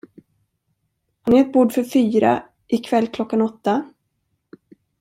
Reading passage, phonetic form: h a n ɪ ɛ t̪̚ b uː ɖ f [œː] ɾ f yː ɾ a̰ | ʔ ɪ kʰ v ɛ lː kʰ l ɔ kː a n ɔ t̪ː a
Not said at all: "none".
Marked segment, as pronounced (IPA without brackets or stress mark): œ